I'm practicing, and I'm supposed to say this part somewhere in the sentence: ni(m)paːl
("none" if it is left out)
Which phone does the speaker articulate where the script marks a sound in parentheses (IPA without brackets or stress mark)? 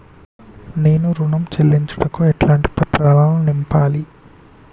m